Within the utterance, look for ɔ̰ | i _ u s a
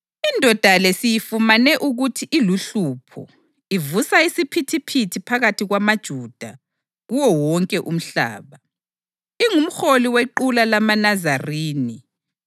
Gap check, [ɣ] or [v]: v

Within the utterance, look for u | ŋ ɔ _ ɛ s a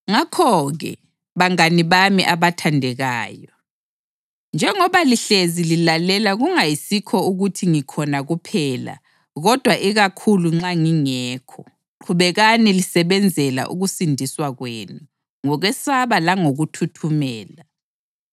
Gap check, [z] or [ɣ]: ɣ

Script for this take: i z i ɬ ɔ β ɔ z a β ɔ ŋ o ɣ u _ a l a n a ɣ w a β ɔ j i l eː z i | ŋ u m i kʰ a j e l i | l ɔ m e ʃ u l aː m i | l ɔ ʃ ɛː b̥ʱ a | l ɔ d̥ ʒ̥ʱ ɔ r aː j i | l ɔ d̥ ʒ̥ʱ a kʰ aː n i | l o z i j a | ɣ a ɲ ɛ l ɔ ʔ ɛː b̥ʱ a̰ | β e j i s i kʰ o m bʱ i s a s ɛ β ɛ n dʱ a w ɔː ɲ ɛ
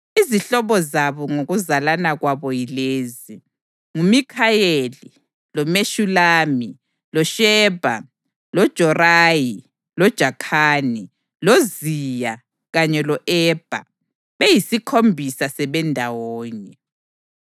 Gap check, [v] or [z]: z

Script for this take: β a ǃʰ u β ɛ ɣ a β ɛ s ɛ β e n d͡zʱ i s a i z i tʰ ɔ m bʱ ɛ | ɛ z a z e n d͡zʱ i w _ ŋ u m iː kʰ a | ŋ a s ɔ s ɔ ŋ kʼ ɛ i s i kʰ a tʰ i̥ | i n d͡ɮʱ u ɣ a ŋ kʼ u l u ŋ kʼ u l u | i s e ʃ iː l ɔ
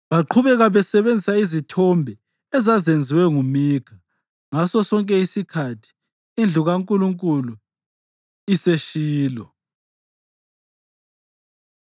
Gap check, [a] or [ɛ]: ɛ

